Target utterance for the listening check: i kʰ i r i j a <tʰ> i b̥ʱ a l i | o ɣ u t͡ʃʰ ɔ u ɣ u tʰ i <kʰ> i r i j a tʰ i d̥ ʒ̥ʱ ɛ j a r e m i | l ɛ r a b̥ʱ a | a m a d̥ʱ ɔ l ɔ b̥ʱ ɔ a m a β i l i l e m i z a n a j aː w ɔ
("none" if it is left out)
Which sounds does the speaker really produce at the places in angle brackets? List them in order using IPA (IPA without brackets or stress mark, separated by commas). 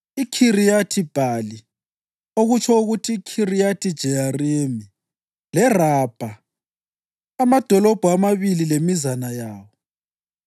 tʰ, kʰ